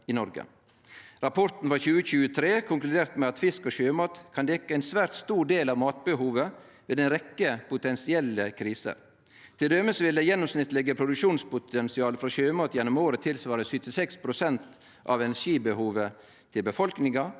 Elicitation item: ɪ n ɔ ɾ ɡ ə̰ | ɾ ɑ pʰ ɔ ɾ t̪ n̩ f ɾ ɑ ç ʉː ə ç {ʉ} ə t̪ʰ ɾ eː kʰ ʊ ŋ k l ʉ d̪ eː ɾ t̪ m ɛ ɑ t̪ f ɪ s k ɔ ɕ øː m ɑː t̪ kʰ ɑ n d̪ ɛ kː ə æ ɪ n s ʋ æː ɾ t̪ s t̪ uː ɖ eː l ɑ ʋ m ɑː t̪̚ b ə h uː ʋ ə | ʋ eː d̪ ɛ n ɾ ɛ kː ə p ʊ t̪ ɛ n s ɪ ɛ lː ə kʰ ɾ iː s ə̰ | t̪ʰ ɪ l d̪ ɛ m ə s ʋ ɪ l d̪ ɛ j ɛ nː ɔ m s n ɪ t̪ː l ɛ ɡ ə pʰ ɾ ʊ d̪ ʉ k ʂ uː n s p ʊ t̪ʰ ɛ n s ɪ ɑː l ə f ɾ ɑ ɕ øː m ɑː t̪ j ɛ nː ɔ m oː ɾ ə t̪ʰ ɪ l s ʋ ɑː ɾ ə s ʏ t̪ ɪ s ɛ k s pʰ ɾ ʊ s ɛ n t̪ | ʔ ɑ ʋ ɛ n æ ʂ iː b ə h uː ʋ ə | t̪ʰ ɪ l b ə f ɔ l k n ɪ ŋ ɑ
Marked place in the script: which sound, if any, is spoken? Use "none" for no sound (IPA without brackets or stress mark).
ʉː